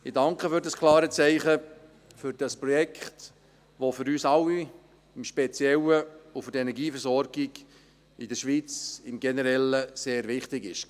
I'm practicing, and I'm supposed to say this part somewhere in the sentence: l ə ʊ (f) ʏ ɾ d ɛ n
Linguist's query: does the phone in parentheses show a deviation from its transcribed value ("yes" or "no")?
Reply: no